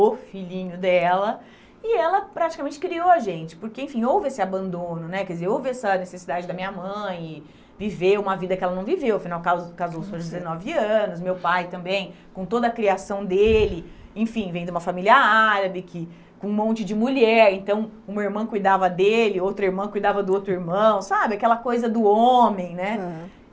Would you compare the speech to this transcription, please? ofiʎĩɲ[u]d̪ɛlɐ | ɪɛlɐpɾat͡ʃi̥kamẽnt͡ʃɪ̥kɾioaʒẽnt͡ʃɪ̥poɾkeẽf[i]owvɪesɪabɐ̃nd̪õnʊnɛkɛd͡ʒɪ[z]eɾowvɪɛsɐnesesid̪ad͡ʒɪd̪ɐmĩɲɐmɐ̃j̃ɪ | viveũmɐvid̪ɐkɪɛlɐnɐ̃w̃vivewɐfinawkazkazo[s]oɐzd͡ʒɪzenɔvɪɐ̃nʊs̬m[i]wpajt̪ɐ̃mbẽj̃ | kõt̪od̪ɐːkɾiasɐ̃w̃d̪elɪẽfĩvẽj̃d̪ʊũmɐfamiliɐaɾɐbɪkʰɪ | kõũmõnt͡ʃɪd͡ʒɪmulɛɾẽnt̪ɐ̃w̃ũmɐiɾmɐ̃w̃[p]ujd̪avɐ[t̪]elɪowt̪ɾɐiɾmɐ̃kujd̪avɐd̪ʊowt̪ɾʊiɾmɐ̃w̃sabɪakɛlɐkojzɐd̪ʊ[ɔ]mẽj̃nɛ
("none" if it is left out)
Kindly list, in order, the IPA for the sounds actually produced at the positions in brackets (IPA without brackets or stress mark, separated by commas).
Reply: ʊ, ĩ, z, s, e, k, d̪, o